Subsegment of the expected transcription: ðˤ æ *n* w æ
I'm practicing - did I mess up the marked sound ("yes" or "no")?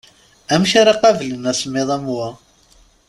yes